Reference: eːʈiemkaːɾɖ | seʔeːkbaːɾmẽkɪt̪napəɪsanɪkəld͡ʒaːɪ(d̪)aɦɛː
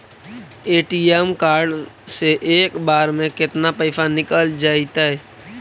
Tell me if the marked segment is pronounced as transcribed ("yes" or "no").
no